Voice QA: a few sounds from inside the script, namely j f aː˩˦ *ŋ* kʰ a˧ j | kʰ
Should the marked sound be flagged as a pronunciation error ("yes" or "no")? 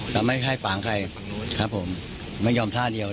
no